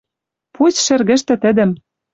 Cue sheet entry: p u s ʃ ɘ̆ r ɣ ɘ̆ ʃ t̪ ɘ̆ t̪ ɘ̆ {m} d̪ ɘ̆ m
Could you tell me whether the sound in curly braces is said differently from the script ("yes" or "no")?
yes